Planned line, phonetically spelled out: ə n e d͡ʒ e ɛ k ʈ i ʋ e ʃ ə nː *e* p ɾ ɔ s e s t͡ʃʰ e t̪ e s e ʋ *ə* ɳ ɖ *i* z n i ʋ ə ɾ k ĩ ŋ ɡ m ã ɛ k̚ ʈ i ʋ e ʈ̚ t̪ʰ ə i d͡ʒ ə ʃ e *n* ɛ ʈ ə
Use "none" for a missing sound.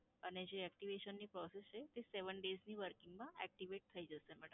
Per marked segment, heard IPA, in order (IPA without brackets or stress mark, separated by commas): i, ə, e, m